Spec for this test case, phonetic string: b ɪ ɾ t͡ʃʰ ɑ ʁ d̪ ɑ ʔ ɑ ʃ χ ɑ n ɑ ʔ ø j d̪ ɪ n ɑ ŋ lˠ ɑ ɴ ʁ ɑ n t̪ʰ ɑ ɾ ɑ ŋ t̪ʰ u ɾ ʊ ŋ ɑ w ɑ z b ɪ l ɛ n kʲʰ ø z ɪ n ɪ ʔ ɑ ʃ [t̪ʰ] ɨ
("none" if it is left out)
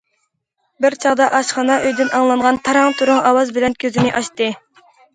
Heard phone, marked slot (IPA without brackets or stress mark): t̪